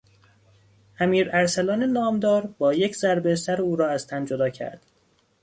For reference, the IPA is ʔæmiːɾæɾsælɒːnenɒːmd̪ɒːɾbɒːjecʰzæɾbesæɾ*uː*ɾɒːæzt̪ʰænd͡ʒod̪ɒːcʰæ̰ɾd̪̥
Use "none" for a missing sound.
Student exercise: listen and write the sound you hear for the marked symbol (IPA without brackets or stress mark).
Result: uː